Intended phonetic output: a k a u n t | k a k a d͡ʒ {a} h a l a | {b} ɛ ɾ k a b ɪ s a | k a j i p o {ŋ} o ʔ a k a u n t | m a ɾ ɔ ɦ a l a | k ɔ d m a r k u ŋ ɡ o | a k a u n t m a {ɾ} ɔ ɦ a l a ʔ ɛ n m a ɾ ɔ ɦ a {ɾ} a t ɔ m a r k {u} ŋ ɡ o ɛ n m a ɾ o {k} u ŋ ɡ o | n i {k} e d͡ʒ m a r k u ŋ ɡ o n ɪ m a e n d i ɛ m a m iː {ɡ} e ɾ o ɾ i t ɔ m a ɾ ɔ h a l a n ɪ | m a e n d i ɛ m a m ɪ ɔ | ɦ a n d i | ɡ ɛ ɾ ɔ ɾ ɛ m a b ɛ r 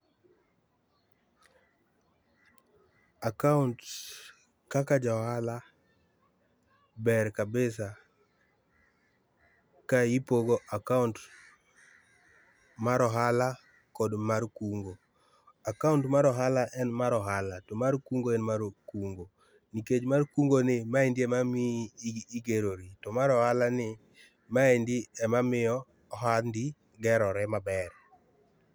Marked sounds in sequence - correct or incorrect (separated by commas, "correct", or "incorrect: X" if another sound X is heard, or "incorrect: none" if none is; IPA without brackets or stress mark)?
correct, correct, incorrect: ɡ, correct, incorrect: l, correct, correct, correct, correct